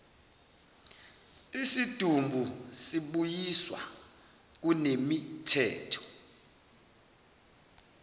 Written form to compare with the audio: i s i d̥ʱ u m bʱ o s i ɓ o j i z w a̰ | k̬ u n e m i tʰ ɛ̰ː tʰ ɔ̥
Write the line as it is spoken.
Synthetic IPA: i s i d̥ʱ u m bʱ u s i ɓ u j i s w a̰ | k̬ u n e m i tʰ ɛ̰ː tʰ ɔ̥